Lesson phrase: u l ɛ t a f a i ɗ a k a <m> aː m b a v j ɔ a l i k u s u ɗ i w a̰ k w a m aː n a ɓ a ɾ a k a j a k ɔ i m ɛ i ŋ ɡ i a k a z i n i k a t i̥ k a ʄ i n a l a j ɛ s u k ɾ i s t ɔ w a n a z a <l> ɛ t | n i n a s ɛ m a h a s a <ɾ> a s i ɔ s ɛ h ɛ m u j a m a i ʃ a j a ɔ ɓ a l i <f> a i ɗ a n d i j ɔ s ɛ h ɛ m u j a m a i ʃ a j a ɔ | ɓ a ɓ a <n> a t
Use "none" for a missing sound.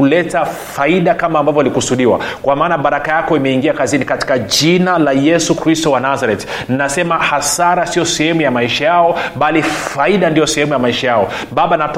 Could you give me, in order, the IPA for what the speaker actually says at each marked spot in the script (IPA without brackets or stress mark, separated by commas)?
m, ɾ, ɾ, f, n